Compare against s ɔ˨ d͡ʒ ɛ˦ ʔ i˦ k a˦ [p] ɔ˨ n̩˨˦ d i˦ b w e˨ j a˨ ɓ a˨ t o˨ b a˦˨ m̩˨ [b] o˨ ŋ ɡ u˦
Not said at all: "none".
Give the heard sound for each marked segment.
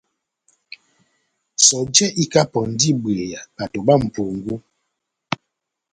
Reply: p, p

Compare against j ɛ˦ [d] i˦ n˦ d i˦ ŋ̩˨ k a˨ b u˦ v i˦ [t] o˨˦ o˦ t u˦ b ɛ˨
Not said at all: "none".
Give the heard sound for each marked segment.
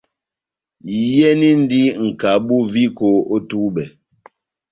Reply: n, k

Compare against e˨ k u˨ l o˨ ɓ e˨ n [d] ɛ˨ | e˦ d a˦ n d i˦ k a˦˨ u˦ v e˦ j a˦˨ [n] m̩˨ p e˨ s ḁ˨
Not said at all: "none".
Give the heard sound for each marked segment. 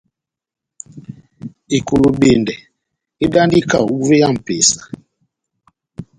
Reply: d, none

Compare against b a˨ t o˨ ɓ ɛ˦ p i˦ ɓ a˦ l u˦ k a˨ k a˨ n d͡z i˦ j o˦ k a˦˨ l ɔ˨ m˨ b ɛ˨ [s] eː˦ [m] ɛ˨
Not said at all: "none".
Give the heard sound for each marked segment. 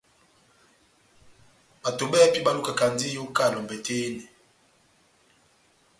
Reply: t, n

